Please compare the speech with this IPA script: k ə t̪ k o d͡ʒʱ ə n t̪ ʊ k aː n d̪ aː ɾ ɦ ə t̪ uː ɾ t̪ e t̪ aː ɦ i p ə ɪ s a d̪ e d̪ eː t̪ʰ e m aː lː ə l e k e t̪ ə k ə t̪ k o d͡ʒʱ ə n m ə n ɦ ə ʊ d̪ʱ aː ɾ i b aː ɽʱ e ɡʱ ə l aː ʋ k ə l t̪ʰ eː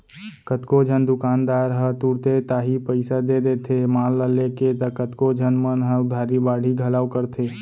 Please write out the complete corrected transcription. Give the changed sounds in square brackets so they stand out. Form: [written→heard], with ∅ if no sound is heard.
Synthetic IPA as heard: k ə t̪ k o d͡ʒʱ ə n [t̪→d̪] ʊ k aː n d̪ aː ɾ ɦ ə t̪ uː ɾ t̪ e t̪ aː ɦ i p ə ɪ s a d̪ e d̪ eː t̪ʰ e m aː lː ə l e k e t̪ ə k ə t̪ k o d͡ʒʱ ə n m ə n ɦ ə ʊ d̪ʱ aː ɾ i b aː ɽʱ [e→i] ɡʱ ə l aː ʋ k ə [l→ɾ] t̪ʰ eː